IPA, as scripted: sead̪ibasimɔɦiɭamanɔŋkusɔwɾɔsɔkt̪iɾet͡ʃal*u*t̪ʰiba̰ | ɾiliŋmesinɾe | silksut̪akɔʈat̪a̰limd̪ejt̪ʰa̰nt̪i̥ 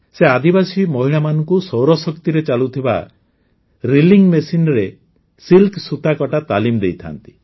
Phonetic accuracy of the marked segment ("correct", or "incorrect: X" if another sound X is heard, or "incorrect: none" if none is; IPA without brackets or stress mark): correct